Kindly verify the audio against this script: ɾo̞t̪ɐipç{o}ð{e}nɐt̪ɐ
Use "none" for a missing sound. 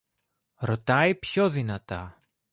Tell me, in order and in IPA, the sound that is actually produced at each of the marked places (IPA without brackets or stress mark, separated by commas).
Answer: o, i